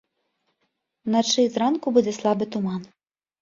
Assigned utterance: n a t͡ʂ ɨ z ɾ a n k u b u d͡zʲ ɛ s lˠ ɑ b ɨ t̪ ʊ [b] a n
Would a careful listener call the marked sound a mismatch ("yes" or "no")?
yes